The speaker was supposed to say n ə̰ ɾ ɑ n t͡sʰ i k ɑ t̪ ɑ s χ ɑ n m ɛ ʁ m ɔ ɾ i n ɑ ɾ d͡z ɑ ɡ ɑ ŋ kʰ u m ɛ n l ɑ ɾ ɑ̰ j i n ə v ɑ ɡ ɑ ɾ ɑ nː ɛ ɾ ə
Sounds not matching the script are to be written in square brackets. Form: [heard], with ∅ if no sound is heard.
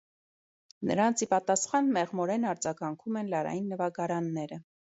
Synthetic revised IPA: n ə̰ ɾ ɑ n t͡sʰ i [p] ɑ t̪ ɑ s χ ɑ n m ɛ ʁ m ɔ ɾ [ɛ] n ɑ ɾ d͡z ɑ ɡ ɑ ŋ kʰ u m ɛ n l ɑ ɾ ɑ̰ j i [nː] ə v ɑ ɡ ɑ ɾ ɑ nː ɛ ɾ ə